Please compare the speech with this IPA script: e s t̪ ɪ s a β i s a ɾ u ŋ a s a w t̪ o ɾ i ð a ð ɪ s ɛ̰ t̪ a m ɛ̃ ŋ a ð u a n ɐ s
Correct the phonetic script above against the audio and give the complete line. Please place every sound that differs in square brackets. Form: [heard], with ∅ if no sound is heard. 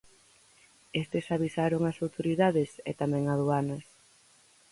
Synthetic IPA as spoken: e s t̪ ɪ s a β i s a ɾ [o] ŋ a s a w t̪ o ɾ i ð a ð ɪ s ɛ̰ t̪ a m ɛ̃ ŋ a ð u a n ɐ s